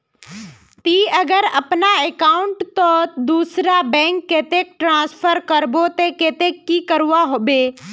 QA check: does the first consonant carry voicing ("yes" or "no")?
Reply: no